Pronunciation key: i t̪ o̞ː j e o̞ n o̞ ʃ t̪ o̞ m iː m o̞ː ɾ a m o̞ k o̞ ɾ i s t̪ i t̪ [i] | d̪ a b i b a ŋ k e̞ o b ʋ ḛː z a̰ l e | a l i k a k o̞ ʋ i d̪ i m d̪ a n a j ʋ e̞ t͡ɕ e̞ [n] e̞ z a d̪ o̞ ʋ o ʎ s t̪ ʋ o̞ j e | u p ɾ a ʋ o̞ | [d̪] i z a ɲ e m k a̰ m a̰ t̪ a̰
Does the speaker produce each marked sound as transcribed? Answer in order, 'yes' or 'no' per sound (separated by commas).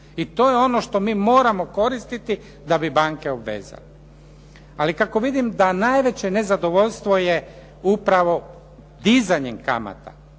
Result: yes, yes, yes